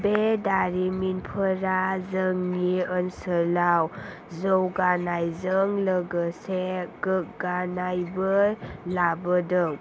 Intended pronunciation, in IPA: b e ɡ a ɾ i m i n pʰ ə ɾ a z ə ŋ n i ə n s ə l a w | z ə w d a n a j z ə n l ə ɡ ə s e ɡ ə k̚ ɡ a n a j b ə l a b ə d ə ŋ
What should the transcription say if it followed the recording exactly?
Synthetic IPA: b e d a ɾ i m i n pʰ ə ɾ a z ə ŋ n i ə n s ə l a w | z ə w ɡ a n a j z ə ŋ l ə ɡ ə s e ɡ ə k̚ ɡ a n a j b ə l a b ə d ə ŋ